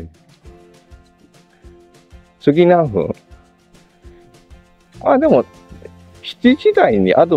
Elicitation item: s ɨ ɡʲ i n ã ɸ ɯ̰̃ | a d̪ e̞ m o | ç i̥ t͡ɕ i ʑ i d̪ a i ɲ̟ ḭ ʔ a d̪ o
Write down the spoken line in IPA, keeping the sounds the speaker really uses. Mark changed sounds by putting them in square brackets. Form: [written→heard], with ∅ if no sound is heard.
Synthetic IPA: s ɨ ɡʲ i n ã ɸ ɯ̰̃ | a d̪ e̞ m o | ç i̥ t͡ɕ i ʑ i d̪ a i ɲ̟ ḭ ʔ a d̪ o